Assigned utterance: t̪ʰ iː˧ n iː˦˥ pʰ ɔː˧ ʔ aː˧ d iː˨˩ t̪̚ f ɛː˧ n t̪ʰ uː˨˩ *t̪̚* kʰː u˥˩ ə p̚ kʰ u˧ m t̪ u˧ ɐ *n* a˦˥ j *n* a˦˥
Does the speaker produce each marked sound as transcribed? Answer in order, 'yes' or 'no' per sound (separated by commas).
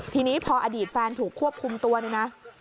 no, yes, yes